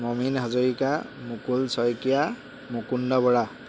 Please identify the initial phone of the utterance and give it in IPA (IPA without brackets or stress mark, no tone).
m